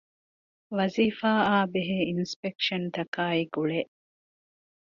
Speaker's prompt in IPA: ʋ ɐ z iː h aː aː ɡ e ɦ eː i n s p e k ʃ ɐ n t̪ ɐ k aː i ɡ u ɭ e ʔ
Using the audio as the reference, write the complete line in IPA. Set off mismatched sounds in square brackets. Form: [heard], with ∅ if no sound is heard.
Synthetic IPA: ʋ ɐ z iː [f] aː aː [b] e ɦ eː i n s p e k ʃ ɐ n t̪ ɐ k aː i ɡ u ɭ e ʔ